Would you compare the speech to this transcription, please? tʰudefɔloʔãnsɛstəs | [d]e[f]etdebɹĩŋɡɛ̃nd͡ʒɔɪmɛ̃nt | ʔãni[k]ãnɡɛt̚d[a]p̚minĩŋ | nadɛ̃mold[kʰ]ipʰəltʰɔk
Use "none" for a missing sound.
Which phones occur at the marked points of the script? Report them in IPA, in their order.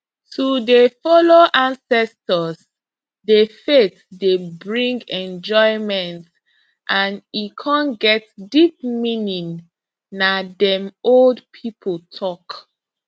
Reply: d, f, kʰ, i, pʰ

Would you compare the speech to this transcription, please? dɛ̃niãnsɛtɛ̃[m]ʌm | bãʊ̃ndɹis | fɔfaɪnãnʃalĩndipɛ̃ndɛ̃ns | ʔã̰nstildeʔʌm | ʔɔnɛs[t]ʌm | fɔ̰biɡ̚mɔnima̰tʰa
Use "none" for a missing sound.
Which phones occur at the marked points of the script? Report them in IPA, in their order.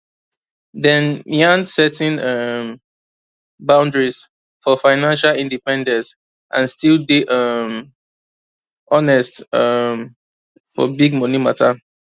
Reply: n, t

